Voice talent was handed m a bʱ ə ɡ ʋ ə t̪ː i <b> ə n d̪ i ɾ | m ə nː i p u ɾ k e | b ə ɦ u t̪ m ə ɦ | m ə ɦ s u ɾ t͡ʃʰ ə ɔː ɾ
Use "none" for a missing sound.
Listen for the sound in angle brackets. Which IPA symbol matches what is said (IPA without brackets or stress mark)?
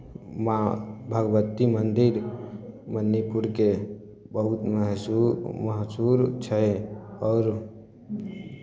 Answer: m